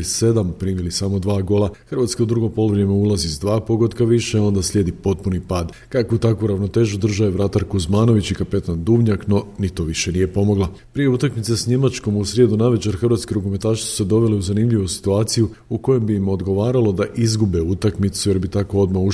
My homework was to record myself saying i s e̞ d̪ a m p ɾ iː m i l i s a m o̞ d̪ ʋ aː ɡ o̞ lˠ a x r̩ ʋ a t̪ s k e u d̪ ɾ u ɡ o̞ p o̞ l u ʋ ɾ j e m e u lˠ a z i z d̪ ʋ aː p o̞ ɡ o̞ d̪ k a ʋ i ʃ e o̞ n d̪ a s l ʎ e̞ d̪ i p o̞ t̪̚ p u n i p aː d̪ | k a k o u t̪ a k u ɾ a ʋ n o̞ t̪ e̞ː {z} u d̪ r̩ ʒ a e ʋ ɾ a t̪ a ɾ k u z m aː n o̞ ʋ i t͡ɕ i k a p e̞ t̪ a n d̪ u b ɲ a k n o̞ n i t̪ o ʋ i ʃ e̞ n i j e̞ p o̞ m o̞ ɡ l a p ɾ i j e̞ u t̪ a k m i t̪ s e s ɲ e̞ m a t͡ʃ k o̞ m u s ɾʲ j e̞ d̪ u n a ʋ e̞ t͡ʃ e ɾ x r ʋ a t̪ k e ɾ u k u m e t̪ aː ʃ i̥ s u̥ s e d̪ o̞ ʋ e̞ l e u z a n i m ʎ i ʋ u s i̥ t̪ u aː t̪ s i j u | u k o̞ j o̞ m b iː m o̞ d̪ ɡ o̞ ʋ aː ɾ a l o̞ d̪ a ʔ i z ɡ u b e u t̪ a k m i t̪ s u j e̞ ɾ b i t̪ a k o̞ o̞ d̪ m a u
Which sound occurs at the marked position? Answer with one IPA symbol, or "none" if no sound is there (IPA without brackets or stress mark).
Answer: ʒ